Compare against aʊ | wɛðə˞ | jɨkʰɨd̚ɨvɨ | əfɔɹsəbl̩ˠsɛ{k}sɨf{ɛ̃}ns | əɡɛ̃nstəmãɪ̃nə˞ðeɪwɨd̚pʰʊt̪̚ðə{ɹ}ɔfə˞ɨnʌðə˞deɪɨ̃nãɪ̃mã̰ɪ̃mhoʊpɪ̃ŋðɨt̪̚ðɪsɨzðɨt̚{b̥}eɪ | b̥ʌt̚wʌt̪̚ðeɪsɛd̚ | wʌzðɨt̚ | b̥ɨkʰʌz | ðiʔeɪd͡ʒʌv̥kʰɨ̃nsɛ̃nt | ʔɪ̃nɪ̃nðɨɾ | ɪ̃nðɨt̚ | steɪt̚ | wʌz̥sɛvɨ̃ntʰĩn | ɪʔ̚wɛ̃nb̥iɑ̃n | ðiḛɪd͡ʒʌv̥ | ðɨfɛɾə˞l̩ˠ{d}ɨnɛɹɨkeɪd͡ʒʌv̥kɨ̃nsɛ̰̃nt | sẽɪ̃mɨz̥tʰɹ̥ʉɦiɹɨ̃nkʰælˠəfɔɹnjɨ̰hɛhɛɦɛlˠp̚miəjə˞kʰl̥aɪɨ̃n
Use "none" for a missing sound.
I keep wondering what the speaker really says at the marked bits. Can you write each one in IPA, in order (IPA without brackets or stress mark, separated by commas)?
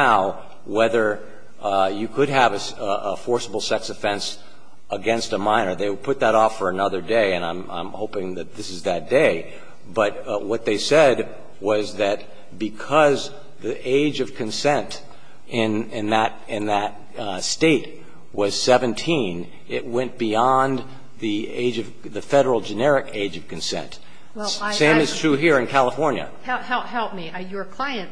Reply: k, ɛ̃, ɾ, d̥, d͡ʒ